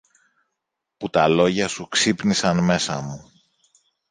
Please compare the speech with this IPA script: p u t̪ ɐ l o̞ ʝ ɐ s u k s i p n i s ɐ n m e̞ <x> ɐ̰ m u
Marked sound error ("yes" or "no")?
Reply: yes